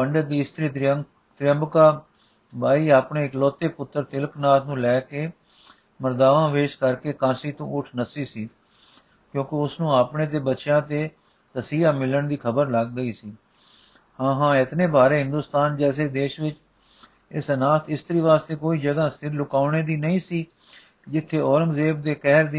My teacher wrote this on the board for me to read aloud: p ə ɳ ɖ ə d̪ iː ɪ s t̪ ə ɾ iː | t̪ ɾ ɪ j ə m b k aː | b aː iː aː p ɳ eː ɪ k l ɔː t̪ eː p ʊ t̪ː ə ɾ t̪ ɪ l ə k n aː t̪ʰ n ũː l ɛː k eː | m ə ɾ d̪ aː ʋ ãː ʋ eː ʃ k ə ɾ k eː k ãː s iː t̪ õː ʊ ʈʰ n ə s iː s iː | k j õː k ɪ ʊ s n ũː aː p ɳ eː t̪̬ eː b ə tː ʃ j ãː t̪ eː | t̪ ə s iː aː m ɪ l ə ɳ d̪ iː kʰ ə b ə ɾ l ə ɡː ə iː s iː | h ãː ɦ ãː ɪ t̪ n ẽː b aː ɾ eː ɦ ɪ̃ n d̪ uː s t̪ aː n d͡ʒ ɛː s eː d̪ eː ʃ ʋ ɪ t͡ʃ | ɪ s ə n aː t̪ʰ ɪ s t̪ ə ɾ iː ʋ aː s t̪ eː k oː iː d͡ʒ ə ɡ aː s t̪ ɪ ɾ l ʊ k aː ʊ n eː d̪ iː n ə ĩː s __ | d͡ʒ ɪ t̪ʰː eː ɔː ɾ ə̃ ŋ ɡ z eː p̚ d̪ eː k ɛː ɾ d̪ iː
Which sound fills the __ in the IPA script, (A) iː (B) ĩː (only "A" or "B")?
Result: A